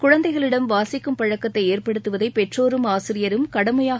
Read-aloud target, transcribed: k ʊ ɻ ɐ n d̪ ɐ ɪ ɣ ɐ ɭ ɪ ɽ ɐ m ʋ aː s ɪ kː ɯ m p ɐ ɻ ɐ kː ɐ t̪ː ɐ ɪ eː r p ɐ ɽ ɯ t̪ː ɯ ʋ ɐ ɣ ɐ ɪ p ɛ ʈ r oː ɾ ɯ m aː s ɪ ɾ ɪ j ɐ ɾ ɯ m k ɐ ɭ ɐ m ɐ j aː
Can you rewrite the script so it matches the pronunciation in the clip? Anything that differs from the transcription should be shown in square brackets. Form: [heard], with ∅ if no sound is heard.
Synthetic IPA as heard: k ʊ ɻ ɐ n d̪ ɐ ɪ ɣ ɐ ɭ ɪ ɽ ɐ m ʋ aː s ɪ kː ɯ m p ɐ ɻ ɐ kː ɐ t̪ː ɐ ɪ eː r p ɐ ɽ ɯ t̪ː ɯ ʋ ɐ [ð] ɐ ɪ p ɛ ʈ r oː ɾ ɯ m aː s ɪ ɾ ɪ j ɐ ɾ ɯ m k ɐ [ɽ] ɐ m ɐ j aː